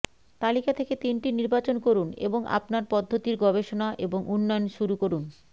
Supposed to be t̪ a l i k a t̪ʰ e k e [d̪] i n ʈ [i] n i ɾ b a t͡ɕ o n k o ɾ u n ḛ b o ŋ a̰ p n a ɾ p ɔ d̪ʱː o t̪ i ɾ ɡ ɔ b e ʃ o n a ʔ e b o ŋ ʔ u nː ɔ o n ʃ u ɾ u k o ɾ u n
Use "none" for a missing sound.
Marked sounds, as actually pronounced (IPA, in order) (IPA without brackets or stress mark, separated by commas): t̪, i